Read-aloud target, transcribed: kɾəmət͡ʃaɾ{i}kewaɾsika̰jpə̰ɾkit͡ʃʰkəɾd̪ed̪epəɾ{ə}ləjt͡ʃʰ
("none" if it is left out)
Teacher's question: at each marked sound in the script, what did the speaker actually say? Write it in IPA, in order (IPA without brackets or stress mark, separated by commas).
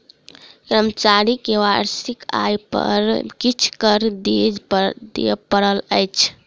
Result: i, ə